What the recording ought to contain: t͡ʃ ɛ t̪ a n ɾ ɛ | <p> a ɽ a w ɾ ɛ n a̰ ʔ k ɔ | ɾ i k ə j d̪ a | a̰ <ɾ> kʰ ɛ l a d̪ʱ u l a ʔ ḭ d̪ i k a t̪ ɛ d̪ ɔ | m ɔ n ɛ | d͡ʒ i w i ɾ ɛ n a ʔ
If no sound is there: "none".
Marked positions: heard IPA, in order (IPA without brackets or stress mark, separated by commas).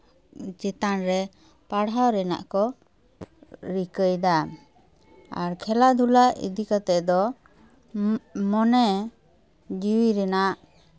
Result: p, ɾ